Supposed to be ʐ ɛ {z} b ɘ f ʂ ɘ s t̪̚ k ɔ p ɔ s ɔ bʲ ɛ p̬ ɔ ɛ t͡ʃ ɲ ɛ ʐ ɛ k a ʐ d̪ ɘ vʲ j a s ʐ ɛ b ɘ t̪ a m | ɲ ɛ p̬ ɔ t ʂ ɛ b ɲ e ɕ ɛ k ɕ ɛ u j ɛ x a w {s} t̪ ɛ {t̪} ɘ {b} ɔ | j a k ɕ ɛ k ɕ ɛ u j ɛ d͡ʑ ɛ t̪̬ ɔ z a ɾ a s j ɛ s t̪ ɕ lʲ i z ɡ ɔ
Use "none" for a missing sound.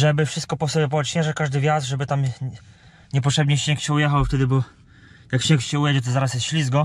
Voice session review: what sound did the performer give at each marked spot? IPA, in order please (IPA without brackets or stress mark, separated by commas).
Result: none, f, d̪, b